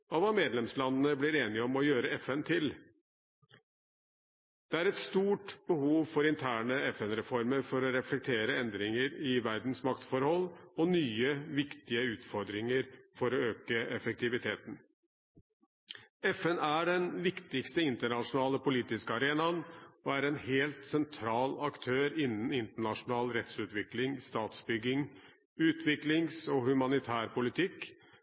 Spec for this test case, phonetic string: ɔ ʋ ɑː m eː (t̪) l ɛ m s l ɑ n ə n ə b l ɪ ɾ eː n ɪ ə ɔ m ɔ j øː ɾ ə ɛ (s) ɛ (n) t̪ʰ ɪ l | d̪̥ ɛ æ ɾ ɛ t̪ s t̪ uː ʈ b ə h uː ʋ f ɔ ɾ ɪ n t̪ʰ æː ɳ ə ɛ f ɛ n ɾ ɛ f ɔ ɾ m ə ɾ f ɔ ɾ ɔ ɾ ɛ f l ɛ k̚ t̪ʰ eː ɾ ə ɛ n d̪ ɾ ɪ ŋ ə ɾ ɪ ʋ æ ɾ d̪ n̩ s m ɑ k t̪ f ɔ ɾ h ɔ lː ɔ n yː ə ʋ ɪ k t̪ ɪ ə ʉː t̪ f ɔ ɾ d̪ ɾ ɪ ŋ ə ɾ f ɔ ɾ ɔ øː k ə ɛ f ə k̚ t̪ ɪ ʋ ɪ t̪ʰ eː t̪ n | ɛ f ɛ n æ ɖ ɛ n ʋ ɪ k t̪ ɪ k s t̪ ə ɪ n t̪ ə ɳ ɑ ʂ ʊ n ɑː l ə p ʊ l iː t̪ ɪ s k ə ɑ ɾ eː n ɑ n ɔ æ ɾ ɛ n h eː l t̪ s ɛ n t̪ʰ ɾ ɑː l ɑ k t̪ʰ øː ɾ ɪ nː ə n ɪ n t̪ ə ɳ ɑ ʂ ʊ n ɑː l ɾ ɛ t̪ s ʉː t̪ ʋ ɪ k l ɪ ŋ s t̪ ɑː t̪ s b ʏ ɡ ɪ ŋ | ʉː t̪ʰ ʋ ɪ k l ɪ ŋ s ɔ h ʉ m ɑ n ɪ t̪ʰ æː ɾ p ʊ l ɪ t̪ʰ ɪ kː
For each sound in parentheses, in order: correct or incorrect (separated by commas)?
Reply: incorrect, incorrect, correct